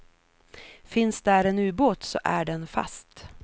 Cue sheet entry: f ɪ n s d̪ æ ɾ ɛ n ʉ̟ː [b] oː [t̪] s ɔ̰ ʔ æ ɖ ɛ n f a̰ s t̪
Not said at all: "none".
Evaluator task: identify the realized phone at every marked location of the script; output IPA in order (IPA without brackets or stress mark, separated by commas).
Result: b, t̪